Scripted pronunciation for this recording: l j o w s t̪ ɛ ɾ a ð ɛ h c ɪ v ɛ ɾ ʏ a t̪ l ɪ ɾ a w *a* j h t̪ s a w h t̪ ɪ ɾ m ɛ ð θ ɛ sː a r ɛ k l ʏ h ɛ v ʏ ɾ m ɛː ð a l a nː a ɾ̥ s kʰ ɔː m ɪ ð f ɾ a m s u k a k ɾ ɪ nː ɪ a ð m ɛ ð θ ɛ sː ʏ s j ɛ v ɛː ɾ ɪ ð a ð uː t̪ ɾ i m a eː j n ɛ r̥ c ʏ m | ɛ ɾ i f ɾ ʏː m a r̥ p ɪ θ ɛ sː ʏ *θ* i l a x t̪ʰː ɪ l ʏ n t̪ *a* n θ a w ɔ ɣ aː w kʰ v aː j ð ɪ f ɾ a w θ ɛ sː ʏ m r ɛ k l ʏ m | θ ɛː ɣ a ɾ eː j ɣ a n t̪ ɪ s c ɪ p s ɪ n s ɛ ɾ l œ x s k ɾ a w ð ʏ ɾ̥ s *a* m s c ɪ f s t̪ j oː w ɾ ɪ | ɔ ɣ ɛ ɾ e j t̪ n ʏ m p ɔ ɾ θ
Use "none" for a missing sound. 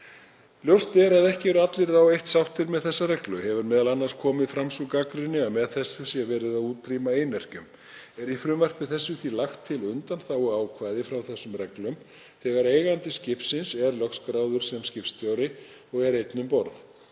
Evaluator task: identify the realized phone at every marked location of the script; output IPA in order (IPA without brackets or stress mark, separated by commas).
e, θ, a, ɛ